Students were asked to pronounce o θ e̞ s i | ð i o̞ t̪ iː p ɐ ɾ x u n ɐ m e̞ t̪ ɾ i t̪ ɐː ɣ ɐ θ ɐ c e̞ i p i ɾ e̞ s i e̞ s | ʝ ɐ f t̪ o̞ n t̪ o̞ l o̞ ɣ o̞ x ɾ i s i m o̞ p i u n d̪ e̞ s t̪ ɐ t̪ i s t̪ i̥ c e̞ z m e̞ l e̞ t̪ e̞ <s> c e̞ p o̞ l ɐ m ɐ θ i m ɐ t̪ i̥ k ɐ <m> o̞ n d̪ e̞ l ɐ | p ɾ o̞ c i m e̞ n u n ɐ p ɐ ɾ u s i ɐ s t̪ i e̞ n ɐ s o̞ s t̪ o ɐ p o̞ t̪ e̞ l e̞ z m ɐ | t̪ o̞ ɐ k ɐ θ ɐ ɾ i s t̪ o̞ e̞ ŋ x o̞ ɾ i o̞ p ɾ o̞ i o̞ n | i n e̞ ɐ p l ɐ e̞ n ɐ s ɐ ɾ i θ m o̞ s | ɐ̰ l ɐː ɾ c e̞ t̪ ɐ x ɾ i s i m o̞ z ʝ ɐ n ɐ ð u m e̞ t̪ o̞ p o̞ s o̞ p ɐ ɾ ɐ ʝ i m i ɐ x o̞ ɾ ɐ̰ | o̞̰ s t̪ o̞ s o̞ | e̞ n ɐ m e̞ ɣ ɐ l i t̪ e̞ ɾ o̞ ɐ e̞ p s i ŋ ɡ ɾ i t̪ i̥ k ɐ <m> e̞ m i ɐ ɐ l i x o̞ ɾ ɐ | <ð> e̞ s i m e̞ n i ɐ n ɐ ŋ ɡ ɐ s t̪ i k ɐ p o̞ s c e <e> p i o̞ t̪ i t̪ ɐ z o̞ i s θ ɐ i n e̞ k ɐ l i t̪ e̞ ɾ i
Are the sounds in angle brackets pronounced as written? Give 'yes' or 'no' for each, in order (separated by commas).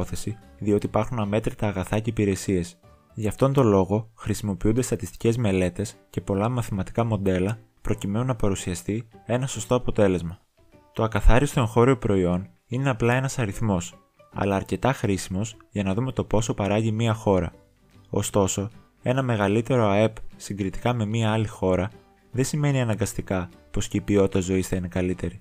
yes, yes, yes, yes, no